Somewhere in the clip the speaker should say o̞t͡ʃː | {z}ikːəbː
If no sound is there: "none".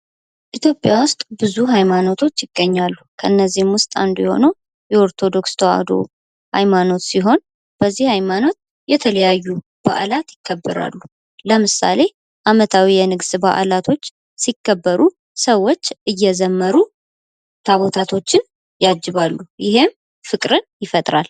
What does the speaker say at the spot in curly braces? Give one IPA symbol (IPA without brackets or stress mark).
s